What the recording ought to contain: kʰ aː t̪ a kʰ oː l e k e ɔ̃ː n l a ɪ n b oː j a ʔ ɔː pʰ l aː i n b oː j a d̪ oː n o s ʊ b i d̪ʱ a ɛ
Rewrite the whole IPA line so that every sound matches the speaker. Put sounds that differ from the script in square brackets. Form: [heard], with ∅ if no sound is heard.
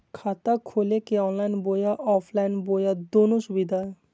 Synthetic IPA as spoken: kʰ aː t̪ a kʰ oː l e k e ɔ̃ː n l a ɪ n b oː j a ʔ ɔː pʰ l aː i n b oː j a d̪ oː n o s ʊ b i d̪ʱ a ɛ